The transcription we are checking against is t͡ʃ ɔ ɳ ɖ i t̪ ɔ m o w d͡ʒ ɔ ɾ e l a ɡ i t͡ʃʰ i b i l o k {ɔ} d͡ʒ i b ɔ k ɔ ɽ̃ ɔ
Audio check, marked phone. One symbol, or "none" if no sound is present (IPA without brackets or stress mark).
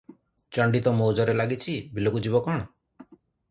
u